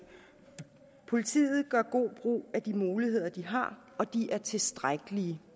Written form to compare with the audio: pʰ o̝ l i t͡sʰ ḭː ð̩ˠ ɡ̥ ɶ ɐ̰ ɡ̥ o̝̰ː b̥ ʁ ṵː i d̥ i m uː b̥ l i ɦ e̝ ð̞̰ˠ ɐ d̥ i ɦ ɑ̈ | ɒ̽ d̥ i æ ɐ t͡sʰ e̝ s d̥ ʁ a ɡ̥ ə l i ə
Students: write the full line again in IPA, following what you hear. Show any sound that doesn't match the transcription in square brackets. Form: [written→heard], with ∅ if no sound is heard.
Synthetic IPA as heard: pʰ o̝ l i t͡sʰ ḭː ð̩ˠ ɡ̥ ɶ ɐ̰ ɡ̥ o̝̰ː b̥ ʁ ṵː [i→æ] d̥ i m uː [b̥→∅] l i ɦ e̝ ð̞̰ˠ ɐ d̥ i ɦ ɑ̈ | ɒ̽ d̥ i æ ɐ t͡sʰ e̝ s d̥ ʁ a ɡ̥ ə l i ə